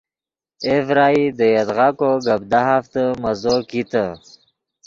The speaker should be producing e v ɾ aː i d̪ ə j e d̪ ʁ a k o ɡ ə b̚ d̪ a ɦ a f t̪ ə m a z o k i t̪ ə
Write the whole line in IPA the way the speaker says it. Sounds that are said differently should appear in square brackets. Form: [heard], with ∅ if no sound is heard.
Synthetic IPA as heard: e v ɾ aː i d̪ ə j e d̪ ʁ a k o ɡ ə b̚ d̪ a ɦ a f t̪ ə m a z o k i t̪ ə